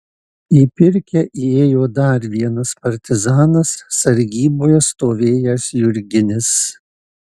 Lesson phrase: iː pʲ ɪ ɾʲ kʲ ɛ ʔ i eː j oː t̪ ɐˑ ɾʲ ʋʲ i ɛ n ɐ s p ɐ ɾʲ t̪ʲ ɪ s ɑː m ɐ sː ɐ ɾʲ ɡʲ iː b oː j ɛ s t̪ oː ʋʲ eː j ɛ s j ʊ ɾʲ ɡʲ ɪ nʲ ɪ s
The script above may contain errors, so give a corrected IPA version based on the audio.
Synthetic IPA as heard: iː pʲ ɪ ɾʲ kʲ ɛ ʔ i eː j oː d̪ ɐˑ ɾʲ ʋʲ i ɛ n ɐ s p ɐ ɾʲ t̪ʲ ɪ z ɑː n ɐ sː ɐ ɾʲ ɡʲ iː b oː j ɛ s t̪ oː ʋʲ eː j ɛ s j ʊ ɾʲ ɡʲ ɪ nʲ ɪ s